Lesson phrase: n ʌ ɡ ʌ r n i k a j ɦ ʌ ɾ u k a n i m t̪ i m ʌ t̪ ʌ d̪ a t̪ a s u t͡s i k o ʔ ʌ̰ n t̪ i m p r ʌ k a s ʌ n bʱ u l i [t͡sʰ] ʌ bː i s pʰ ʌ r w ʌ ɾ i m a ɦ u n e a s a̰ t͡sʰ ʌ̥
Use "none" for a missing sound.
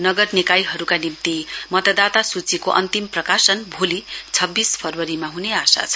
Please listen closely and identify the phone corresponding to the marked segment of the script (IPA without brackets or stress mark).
t͡sʰ